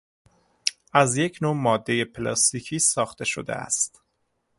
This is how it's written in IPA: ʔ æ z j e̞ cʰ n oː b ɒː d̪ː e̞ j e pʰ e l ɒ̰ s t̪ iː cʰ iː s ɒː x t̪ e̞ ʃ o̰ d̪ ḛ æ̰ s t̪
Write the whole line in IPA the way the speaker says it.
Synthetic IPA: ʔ æ z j e̞ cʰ n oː m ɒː d̪ː e̞ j e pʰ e l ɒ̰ s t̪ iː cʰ iː s ɒː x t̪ e̞ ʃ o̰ d̪ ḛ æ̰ s t̪